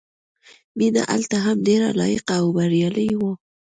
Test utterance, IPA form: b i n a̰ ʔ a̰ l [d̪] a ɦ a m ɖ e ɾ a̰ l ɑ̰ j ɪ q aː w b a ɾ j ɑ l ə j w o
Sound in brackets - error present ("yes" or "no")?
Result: yes